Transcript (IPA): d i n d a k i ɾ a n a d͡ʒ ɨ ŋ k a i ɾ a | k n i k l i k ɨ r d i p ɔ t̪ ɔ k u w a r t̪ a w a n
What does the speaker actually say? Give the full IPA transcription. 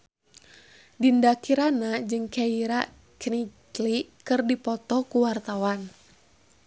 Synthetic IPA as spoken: d i n d a k i ɾ a n a d͡ʒ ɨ ŋ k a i ɾ a | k n i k l i k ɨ r d i p ɔ t̪ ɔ k u w a r t̪ a w a n

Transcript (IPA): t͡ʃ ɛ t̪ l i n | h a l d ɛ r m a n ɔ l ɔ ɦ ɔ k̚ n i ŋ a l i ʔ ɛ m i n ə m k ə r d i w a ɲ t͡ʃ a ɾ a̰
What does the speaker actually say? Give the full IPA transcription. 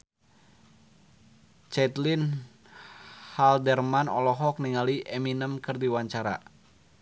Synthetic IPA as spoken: t͡ʃ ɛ t̪ l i n | h a l d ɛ r m a n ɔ l ɔ ɦ ɔ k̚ n i ŋ a l i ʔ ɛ m i n ə m k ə r d i w a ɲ t͡ʃ a ɾ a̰

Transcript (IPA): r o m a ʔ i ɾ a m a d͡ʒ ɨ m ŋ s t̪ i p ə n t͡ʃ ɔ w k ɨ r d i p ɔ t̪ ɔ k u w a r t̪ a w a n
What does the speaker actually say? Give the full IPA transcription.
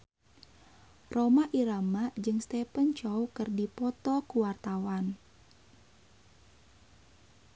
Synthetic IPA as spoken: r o m a ʔ i ɾ a m a d͡ʒ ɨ ŋ s t̪ ɛ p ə n t͡ʃ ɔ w k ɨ r d i p ɔ t̪ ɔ k u w a r t̪ a w a n

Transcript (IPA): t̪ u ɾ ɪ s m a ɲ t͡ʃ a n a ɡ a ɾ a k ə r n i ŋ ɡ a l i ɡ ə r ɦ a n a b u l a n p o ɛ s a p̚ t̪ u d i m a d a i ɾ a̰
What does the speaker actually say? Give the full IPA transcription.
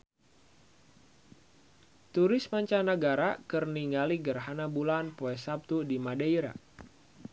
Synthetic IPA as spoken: t̪ u ɾ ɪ s m a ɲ t͡ʃ a n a ɡ a ɾ a k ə r n i ŋ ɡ a l i ɡ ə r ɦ a n a b u l a n p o ɛ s a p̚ t̪ u d i m a d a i ɾ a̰

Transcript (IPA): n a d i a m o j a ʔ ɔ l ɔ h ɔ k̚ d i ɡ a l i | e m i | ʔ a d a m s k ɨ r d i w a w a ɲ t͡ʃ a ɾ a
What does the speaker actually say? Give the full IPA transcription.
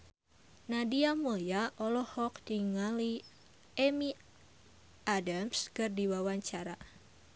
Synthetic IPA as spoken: n a d i a m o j a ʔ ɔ l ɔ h ɔ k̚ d i ŋ a l i | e m i | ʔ a d a m s k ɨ r d i w a w a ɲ t͡ʃ a ɾ a

